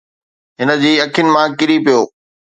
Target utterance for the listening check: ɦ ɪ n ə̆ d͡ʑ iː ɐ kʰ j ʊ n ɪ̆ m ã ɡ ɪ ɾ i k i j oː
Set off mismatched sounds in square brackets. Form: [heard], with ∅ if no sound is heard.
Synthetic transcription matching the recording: ɦ ɪ n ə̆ d͡ʑ iː ɐ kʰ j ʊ n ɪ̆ m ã [k] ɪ ɾ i [p] i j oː